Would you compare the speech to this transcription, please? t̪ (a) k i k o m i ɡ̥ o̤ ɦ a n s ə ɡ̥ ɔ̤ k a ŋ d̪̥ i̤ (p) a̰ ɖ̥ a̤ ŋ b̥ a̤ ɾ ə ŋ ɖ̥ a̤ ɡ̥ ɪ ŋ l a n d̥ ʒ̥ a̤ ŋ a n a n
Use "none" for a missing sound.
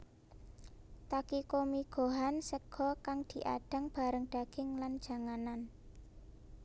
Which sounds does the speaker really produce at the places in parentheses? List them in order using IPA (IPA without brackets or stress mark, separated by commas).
a, ʔ